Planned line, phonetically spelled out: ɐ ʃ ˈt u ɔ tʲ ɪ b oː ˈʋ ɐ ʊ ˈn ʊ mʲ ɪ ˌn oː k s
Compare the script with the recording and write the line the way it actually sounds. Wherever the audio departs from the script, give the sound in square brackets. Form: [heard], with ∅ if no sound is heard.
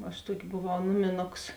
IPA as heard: ɐ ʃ ˈt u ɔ [kʲ] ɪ b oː ˈʋ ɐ ʊ ˈn ʊ mʲ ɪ ˌn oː k s